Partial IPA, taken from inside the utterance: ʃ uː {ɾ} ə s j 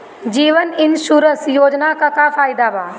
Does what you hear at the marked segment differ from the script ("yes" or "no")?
no